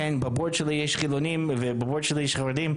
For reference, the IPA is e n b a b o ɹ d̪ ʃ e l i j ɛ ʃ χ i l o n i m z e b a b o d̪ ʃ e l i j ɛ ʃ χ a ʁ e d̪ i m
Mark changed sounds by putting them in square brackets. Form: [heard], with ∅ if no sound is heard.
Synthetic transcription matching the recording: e n b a b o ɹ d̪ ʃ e l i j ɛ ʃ χ i l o n i m [v] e b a b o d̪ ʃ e l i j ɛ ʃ χ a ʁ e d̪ i m